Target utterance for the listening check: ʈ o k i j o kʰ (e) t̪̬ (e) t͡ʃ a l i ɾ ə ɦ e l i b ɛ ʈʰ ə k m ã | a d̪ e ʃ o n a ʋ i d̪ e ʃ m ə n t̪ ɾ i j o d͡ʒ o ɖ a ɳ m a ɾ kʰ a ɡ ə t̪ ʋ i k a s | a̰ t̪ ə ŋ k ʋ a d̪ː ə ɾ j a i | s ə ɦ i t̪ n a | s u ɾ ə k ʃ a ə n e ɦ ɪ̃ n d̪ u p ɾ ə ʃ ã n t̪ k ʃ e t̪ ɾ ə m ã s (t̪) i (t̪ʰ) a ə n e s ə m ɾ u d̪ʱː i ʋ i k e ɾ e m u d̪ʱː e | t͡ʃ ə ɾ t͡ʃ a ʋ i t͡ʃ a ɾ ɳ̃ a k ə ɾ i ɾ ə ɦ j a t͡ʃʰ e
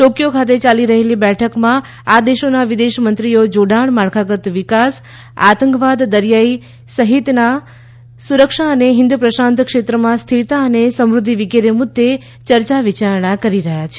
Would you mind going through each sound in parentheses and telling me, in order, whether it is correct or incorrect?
incorrect: a, correct, incorrect: t̪ʰ, incorrect: t̪

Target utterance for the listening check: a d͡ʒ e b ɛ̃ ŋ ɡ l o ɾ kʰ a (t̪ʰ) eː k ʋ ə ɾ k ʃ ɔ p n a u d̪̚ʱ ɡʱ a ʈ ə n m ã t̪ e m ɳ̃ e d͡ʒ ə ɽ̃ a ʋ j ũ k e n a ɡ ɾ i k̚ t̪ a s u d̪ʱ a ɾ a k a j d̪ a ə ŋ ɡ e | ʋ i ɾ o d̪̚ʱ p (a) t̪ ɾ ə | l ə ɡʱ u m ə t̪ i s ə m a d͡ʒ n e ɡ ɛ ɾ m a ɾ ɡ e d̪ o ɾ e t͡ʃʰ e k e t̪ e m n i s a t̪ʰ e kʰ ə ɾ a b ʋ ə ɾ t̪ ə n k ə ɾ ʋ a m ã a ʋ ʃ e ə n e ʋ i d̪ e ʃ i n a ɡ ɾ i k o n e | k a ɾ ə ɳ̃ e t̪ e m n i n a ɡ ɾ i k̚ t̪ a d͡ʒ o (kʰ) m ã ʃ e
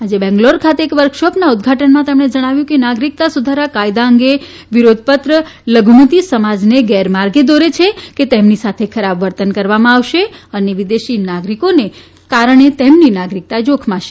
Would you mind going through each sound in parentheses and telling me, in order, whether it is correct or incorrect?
incorrect: t̪, incorrect: ə, correct

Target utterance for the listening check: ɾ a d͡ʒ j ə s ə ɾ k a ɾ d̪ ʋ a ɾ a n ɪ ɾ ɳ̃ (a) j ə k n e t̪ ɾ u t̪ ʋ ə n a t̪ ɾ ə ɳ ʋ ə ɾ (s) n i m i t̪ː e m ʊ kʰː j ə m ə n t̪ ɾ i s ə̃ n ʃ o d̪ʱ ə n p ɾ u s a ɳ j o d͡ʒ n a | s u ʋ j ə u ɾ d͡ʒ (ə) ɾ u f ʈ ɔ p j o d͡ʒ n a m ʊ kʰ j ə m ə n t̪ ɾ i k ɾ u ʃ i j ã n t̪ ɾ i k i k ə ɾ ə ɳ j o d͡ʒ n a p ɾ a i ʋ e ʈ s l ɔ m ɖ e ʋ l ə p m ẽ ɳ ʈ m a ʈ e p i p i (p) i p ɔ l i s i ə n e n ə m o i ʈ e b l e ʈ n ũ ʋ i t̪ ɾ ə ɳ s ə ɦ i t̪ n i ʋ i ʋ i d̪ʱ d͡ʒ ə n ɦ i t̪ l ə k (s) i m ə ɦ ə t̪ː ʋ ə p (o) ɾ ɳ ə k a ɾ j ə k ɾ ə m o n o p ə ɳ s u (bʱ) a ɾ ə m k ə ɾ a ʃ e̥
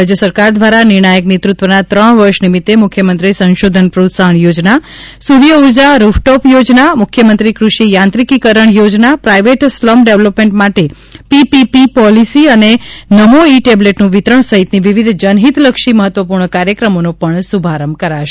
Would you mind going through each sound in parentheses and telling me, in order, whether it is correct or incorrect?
correct, incorrect: ʃ, incorrect: a, correct, incorrect: ʃ, incorrect: u, correct

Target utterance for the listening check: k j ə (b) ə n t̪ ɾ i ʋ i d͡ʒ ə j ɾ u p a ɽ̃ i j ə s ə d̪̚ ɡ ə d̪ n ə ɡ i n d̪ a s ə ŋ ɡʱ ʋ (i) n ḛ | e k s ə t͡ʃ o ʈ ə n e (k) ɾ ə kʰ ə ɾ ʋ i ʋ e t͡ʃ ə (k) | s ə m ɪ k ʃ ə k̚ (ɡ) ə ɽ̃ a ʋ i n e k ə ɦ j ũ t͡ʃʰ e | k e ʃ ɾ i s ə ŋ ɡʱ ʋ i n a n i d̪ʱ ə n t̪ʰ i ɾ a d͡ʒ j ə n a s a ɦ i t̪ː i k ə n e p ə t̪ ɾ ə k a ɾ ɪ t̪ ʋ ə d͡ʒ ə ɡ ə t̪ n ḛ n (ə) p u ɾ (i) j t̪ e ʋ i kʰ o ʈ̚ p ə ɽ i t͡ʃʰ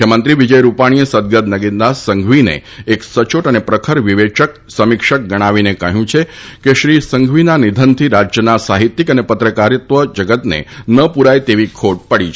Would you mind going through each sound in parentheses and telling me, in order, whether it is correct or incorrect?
incorrect: m, correct, incorrect: p, correct, correct, correct, incorrect: a

